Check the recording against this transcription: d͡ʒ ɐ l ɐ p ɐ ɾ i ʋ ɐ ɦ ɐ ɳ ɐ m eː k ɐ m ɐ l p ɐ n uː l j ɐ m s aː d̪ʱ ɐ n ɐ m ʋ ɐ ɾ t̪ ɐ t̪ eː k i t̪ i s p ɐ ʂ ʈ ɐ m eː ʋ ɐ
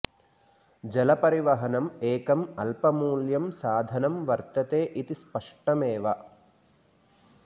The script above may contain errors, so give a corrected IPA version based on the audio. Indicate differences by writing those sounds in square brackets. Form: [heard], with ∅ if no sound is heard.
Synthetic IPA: d͡ʒ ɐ l ɐ p ɐ ɾ i ʋ ɐ ɦ ɐ [n] ɐ m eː k ɐ m ɐ l p ɐ [m] uː l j ɐ m s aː d̪ʱ ɐ n ɐ m ʋ ɐ ɾ t̪ ɐ t̪ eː [ʔ] i t̪ i s p ɐ ʂ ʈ ɐ m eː ʋ ɐ